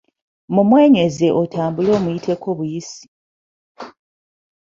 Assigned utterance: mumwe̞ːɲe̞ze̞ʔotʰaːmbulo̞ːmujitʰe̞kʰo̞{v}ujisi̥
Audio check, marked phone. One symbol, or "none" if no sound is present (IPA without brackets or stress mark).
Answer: β